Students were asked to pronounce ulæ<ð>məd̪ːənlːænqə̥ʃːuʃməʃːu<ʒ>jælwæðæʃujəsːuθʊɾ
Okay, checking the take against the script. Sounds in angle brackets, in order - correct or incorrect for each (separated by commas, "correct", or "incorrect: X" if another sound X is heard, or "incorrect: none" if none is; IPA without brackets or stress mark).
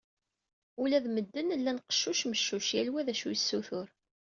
correct, incorrect: ʃ